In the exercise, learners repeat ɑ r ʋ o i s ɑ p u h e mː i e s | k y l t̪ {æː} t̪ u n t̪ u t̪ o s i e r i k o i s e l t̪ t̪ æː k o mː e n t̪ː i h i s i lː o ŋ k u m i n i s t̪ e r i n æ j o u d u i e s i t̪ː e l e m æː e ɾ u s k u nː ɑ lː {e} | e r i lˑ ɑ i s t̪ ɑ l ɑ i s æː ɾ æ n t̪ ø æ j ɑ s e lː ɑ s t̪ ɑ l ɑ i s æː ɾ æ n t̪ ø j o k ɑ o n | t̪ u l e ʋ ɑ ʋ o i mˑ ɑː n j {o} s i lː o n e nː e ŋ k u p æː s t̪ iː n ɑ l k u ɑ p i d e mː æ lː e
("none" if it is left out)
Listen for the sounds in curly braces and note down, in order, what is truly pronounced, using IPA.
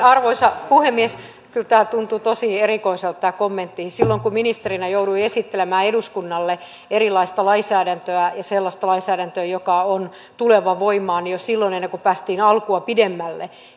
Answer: æː, e, o

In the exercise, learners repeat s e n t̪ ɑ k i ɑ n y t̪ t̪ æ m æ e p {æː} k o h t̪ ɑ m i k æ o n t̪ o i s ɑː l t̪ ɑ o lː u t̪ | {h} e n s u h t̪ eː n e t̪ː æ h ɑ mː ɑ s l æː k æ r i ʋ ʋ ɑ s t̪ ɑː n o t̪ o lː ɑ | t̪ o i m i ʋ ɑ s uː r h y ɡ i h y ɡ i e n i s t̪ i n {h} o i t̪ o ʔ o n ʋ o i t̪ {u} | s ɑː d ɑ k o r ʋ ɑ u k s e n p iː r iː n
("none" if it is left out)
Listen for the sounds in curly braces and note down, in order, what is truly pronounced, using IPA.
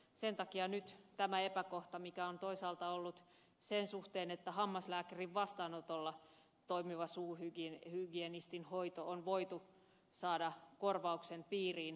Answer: æ, s, h, u

